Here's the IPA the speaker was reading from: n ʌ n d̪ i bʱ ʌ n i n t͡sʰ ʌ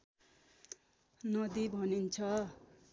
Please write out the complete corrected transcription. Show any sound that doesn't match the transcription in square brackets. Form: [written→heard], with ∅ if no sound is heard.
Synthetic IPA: n ʌ [n→∅] d̪ i bʱ ʌ n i n t͡sʰ ʌ